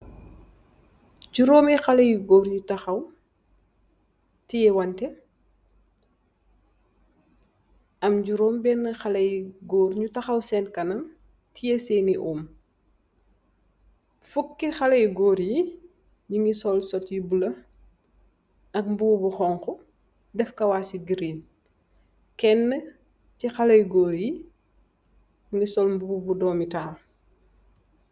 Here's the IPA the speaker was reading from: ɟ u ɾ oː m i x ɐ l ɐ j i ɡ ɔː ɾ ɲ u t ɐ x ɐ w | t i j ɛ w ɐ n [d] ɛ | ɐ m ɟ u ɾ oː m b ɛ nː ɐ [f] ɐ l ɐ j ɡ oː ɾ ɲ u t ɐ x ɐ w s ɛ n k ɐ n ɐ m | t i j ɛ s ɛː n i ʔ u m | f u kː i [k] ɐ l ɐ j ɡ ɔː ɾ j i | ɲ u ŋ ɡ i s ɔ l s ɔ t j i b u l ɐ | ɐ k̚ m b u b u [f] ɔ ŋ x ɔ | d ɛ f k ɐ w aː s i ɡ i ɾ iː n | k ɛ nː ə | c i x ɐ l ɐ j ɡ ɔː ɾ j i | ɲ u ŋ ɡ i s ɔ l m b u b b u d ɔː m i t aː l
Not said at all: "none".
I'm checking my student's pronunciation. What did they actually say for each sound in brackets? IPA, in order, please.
t, x, x, x

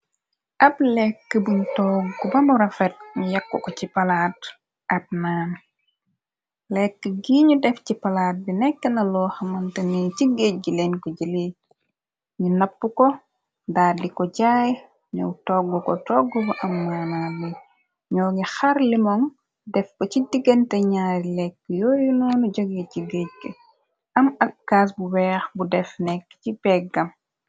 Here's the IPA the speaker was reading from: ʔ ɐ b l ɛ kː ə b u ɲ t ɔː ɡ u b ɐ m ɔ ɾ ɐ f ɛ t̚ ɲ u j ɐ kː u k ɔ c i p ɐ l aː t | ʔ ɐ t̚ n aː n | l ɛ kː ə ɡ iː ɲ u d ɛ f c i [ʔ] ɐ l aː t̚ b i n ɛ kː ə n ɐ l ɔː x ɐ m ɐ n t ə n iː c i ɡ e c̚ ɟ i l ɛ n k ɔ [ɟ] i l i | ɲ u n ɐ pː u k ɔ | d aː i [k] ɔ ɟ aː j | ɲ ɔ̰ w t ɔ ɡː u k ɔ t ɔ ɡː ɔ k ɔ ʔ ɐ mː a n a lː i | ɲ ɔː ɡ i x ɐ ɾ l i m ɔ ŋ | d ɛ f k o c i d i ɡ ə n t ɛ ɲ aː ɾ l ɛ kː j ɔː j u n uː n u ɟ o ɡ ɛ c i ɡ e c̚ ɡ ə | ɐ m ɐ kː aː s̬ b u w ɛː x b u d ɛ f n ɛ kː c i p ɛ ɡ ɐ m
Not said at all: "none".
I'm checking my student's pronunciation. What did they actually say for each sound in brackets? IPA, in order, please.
p, ɟ, k

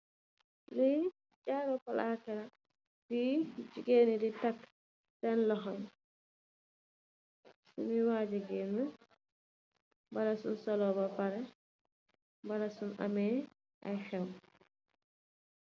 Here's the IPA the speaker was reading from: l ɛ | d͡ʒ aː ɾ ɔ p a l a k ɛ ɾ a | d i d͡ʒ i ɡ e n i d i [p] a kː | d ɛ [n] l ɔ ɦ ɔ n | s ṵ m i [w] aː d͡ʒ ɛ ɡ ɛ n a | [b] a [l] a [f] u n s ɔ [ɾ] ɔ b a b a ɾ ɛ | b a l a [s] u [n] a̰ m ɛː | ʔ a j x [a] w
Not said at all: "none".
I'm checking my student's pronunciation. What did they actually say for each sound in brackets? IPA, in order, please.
t, n, w, b, l, s, l, s, n, ɛ

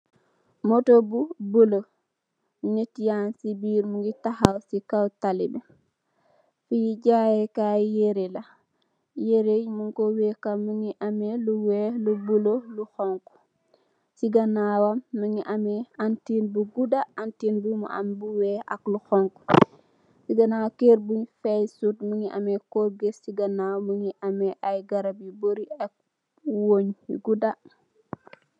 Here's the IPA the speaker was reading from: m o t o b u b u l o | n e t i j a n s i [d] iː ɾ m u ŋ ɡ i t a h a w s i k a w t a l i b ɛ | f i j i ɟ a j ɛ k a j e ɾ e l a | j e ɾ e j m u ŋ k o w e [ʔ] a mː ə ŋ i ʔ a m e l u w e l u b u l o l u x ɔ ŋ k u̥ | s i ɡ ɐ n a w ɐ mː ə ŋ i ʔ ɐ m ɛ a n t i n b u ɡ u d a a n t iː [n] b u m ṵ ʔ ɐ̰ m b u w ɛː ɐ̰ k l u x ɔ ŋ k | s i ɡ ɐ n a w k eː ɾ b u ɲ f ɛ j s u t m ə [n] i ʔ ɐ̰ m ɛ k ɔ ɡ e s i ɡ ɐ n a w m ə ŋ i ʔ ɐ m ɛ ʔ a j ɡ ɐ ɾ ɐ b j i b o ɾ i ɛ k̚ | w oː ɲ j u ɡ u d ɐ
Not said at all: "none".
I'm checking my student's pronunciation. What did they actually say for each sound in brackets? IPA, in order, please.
b, k, n, ŋ

